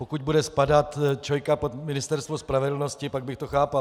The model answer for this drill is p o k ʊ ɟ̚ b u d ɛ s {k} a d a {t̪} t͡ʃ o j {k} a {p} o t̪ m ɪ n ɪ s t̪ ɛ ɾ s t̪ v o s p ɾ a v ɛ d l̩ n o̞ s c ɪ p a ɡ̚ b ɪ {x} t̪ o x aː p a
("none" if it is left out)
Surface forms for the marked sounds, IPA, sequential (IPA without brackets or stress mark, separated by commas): p, t̪, k, p, x